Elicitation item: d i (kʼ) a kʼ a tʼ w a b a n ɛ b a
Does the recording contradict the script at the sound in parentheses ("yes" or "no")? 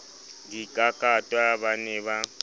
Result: no